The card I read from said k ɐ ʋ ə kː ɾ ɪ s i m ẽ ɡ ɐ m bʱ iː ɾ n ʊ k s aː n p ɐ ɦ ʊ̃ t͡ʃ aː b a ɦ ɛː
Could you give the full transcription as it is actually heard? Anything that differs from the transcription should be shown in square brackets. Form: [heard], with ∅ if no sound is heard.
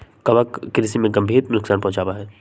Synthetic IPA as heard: k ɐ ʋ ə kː ɾ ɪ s i m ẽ ɡ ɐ m bʱ iː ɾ n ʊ k s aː n p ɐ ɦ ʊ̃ t͡ʃ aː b a ɦ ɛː